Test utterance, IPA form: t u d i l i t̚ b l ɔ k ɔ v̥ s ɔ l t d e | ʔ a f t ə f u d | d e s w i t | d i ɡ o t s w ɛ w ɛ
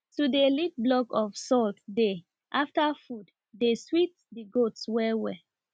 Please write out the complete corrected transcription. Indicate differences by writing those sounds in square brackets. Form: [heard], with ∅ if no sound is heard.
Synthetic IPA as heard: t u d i l i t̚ b l ɔ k ɔ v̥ s ɔ l t d e | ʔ a f t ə f u d | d e s w i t | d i ɡ o t s w ɛ w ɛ